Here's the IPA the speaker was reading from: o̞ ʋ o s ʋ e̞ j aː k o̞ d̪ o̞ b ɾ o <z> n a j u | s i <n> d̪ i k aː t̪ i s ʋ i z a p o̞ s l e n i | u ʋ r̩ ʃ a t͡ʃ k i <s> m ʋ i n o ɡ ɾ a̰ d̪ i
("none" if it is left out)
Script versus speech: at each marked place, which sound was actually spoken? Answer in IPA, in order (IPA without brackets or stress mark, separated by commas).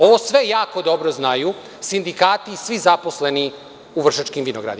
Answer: z, n, none